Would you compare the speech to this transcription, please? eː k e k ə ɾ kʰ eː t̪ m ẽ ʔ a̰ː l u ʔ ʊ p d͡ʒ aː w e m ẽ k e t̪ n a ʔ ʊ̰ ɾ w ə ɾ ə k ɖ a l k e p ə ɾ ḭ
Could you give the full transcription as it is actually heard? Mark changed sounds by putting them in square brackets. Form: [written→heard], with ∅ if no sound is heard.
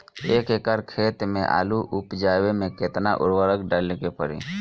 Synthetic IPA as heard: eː k e k ə ɾ kʰ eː t̪ m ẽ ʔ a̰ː l u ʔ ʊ p d͡ʒ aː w e m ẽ k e t̪ n a ʔ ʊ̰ ɾ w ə ɾ ə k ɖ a l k e p ə ɾ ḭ

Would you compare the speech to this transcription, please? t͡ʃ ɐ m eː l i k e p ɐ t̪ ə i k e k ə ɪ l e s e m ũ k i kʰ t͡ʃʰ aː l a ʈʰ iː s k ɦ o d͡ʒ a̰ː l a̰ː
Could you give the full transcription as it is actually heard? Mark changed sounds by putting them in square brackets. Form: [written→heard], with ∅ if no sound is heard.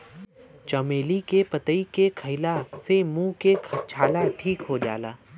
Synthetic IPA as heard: t͡ʃ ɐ m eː l i k e p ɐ t̪ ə i k e [k→kʰ] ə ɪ l [e→a] s e m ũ k [i→e] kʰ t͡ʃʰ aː l a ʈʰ iː [s→∅] k ɦ o d͡ʒ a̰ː l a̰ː

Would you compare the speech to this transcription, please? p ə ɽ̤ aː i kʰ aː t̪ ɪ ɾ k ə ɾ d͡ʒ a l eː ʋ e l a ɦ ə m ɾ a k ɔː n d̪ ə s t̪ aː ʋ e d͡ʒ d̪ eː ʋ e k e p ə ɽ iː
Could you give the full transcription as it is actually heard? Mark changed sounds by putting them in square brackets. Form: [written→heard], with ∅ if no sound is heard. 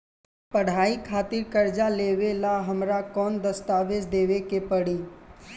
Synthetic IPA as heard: p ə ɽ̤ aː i kʰ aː t̪ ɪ ɾ k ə ɾ d͡ʒ a l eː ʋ e l a ɦ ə m ɾ a k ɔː n d̪ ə s t̪ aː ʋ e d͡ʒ d̪ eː ʋ e k e p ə ɽ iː

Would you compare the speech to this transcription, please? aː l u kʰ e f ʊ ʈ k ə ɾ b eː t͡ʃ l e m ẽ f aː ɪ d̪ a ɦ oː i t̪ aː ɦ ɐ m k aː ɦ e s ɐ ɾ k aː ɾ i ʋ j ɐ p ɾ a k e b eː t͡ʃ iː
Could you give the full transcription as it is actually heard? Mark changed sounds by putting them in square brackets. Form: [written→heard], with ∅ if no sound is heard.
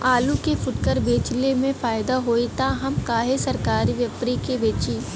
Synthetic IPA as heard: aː l u [kʰ→k] e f ʊ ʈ k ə ɾ b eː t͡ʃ l e m ẽ f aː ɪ d̪ a ɦ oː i t̪ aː ɦ ɐ m k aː ɦ e s ɐ ɾ k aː ɾ i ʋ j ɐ p ɾ [a→i] k e b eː t͡ʃ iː

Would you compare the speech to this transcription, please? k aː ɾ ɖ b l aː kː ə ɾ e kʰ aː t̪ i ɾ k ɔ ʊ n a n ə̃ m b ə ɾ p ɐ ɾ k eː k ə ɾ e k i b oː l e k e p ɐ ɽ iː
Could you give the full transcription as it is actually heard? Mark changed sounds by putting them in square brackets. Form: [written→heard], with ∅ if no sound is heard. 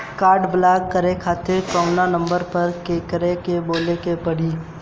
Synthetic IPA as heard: k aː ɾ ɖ b l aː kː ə ɾ e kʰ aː t̪ [i→ɪ] ɾ k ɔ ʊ n a n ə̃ m b ə ɾ p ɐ ɾ k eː k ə ɾ e k [i→e] b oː l e k e p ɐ ɽ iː

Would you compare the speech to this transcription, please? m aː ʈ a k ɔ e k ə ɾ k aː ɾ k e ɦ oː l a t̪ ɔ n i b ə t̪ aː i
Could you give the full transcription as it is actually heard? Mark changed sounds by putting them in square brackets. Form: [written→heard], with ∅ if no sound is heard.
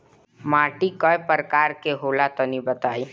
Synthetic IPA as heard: m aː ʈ [a→i] k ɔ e [k→p] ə ɾ k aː ɾ k e ɦ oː l a t̪ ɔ n i b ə t̪ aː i

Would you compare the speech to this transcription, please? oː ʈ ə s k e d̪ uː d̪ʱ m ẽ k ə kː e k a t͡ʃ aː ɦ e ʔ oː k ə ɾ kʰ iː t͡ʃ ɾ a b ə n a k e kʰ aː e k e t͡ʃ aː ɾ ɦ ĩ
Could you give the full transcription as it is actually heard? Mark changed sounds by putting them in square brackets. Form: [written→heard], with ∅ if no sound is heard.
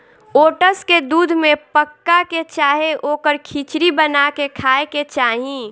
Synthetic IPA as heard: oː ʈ ə s k e d̪ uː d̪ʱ m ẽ [k→p] ə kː [e→a] k [a→e] t͡ʃ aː ɦ e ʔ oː k ə ɾ kʰ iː t͡ʃ ɾ [a→i] b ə n a k e kʰ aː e k e t͡ʃ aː [ɾ→∅] ɦ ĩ

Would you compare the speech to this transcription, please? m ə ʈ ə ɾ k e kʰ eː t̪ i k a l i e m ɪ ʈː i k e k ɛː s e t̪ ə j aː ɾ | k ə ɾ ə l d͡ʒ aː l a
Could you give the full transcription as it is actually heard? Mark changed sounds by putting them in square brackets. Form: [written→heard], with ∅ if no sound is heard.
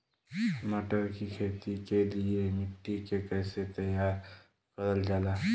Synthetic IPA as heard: m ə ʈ ə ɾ k [e→i] kʰ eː t̪ i k [a→e] l i e m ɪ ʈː i k e k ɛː s e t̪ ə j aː ɾ | k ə ɾ ə l d͡ʒ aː l a

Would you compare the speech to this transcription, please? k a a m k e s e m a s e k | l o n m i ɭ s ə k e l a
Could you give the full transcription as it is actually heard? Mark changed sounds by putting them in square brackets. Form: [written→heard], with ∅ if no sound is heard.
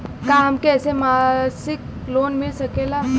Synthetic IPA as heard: k a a m k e s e m a s [e→i] k | l o n m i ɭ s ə k e l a

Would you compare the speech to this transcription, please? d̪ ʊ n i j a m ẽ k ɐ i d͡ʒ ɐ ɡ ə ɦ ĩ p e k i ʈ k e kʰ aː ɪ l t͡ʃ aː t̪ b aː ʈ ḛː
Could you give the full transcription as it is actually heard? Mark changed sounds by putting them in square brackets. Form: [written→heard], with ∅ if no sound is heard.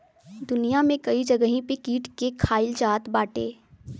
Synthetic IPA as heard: d̪ ʊ n i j a m ẽ k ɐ i d͡ʒ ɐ ɡ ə ɦ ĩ p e k [i→iː] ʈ k e kʰ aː ɪ l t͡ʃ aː t̪ b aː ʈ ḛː

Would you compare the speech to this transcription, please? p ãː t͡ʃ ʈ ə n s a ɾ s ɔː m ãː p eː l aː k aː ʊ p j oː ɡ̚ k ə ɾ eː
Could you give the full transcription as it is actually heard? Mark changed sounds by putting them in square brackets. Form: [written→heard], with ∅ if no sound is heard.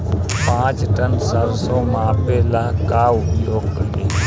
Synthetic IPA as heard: p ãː t͡ʃ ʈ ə n s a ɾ s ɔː m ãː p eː l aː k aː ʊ p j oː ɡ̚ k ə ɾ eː

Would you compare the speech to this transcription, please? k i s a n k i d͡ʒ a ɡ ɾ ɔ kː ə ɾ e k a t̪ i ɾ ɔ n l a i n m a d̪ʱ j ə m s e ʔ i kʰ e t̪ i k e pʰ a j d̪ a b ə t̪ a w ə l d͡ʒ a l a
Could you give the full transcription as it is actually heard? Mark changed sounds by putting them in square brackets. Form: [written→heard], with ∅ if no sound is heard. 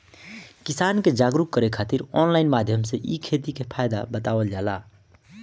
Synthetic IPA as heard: k i s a n k [i→e] d͡ʒ a ɡ ɾ [ɔ→u] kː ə ɾ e [k→kʰ] a t̪ i ɾ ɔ n l a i n m a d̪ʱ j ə m s e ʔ i kʰ e t̪ i k e pʰ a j d̪ a b ə t̪ a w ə l d͡ʒ a l a

